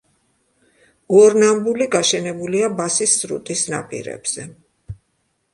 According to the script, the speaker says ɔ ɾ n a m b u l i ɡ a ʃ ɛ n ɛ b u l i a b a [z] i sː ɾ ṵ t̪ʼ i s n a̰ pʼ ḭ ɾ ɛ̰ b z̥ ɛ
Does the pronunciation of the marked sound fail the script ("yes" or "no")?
yes